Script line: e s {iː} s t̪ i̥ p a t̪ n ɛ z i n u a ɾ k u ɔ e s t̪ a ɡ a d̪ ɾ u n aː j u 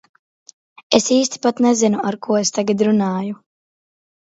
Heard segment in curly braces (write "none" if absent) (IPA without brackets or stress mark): iː